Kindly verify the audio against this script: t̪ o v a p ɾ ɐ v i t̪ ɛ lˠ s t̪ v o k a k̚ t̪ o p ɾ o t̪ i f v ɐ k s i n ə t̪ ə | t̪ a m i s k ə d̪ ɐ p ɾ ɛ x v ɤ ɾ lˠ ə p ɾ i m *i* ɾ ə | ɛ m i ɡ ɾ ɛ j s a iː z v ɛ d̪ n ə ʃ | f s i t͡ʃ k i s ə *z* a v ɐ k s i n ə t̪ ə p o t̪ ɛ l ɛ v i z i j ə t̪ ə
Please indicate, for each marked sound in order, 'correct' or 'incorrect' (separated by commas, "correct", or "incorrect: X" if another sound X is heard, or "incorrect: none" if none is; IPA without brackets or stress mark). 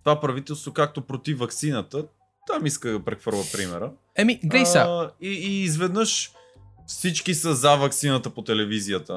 incorrect: ɛ, correct